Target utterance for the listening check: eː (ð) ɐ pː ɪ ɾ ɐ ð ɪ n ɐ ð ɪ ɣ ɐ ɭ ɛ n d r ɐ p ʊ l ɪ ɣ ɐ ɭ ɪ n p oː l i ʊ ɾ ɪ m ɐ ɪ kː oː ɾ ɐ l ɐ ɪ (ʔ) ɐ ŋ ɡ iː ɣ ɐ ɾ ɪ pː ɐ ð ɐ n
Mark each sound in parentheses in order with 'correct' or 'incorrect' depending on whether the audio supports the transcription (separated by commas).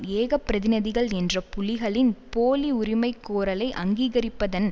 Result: incorrect, correct